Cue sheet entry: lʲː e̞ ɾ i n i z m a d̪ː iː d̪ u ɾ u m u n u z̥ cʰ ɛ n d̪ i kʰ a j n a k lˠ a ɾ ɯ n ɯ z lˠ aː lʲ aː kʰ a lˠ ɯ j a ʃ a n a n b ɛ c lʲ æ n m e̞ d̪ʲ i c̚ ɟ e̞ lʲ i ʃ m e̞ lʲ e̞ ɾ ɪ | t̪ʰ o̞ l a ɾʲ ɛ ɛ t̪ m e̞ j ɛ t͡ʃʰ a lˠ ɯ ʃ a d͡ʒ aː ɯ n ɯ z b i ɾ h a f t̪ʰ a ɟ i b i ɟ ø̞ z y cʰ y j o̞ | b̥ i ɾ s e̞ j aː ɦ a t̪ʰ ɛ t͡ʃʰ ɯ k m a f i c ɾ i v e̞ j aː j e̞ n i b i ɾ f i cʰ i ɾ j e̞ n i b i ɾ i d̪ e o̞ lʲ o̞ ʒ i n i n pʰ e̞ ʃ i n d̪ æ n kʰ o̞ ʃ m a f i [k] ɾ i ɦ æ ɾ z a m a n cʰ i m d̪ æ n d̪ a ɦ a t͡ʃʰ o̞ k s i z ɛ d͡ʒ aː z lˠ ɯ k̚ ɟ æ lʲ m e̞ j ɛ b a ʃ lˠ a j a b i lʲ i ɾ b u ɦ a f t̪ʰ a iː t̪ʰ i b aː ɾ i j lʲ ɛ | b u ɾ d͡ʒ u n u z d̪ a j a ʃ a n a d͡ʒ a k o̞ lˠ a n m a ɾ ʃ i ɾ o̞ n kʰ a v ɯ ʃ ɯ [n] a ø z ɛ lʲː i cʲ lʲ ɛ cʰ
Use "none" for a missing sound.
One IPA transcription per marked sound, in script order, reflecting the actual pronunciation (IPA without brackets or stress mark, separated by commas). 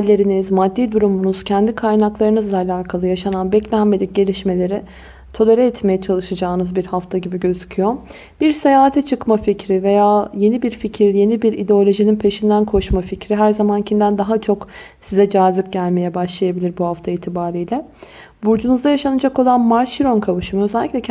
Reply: c, m